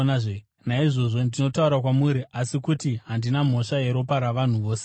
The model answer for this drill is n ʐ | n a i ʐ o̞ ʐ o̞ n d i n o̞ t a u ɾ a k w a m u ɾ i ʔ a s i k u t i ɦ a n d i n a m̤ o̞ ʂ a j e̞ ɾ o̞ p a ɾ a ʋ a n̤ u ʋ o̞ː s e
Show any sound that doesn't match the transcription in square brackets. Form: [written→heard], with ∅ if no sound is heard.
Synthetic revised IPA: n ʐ | n a i ʐ o̞ ʐ o̞ n d i n o̞ t a u ɾ a k w a m u ɾ i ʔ a s i k u t i ɦ a n d i n a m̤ o̞ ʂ a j e̞ ɾ o̞ p a ɾ a ʋ a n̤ u ʋ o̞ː s e